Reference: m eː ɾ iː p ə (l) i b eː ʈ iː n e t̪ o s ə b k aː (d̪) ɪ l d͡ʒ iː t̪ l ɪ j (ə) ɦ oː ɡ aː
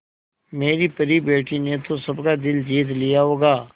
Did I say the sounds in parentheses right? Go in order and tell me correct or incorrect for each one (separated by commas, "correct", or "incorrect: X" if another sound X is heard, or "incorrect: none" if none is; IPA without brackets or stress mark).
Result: incorrect: ɾ, correct, incorrect: a